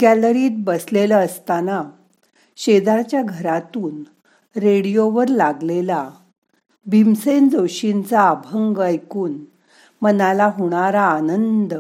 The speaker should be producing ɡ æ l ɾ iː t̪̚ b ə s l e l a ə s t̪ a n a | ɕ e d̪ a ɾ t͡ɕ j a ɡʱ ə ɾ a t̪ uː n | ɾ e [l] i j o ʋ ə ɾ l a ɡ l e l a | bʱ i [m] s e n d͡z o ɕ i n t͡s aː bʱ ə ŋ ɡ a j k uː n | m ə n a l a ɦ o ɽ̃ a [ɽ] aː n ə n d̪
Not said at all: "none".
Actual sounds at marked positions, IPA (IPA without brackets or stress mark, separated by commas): ɽ, m, ɾ